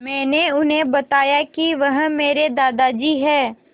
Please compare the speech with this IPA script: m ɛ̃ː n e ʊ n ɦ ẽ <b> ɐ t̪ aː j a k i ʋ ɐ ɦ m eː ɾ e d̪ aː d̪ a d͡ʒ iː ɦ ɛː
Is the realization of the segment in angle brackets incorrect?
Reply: no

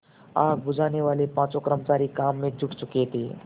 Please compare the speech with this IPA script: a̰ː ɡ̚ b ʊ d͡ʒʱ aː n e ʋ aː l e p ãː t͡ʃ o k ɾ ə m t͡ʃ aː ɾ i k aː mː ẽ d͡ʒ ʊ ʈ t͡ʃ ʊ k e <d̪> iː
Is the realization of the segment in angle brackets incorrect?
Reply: yes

